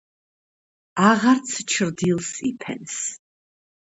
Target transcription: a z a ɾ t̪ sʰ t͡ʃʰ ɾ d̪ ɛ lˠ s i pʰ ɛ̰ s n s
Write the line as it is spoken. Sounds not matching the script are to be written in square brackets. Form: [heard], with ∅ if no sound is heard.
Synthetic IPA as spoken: a [ʁ] a ɾ t̪ sʰ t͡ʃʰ ɾ d̪ [i] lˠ s i pʰ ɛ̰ [∅] n s